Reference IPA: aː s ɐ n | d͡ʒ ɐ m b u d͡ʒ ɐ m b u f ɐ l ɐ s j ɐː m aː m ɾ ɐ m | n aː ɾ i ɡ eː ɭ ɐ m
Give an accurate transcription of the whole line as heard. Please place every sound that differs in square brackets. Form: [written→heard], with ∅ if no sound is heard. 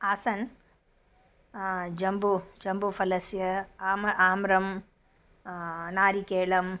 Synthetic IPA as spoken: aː s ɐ n | d͡ʒ ɐ m b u d͡ʒ ɐ m b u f ɐ l ɐ s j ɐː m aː m ɾ ɐ m | n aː ɾ i [ɡ→k] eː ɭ ɐ m